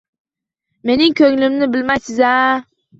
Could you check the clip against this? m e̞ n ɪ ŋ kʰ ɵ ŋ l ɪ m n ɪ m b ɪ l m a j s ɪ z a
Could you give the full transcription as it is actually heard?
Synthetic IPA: m e̞ n ɪ ŋ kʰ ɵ ŋ l ɪ m n ɪ b ɪ l m a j s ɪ z a

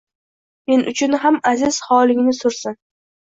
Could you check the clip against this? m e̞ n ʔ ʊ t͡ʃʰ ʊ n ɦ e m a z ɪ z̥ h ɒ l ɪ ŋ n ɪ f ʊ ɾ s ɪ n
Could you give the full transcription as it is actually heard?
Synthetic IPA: m e̞ n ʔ ʊ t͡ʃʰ ʊ n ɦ a m a z ɪ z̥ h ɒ l ɪ ŋ n ɪ s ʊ ɾ s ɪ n

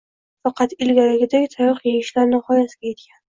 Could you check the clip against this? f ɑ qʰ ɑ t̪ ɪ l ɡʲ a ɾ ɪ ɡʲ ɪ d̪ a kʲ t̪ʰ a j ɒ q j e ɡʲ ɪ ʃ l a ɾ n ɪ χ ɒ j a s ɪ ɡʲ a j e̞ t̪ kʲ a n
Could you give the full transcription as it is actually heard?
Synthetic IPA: f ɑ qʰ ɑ t̪ ɪ l ɡʲ a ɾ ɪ ɡʲ ɪ d̪ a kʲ t̪ʰ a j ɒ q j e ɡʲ ɪ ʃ l a ɾ n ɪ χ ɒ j a s ɪ ɡʲ a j e̞ t̪ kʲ a n

